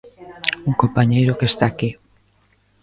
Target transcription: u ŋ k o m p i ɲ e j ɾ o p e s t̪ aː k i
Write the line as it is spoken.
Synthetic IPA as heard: u ŋ k o m p a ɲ e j ɾ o k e s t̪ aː k i